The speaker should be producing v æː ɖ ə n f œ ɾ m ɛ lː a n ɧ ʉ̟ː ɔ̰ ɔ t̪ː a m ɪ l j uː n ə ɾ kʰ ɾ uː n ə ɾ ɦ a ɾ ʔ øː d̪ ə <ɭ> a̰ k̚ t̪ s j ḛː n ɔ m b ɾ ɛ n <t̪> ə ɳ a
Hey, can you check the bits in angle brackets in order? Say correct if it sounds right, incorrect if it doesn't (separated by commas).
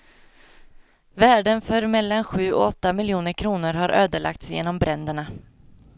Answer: correct, incorrect